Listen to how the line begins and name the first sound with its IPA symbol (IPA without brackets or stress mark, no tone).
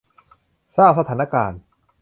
s